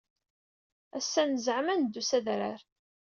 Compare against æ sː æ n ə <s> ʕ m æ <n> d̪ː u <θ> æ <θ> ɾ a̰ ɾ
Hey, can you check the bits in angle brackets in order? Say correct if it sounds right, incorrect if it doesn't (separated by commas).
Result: incorrect, correct, incorrect, incorrect